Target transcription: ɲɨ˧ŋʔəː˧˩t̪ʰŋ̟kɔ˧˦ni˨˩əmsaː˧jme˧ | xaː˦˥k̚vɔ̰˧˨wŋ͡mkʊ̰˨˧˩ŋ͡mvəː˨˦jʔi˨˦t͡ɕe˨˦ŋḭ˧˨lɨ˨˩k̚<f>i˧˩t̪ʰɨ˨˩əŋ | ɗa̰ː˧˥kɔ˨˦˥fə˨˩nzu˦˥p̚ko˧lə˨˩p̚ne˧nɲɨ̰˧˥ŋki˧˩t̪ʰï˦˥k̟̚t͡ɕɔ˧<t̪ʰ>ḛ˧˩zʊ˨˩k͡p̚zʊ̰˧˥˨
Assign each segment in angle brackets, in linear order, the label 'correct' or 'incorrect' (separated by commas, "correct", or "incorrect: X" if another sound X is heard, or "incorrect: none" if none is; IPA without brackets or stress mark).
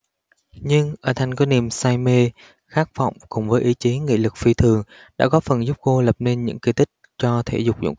correct, correct